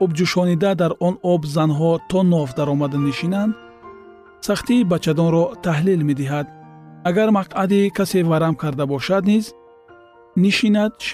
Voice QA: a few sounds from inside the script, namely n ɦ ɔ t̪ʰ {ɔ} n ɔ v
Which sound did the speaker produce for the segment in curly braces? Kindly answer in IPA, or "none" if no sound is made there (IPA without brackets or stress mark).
ɔ